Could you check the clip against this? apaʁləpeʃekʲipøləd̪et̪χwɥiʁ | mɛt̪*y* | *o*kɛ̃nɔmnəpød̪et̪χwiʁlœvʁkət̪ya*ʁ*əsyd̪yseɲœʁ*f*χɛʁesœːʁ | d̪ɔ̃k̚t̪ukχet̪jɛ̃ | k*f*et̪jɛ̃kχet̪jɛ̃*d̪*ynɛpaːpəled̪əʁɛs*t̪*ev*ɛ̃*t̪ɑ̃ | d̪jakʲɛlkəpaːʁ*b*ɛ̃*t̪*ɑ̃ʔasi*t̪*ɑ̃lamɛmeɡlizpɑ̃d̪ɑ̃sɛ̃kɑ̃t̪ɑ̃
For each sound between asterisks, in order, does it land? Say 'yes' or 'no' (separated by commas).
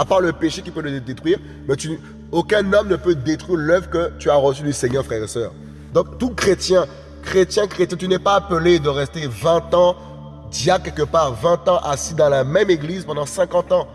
yes, yes, yes, yes, no, no, yes, yes, no, yes, no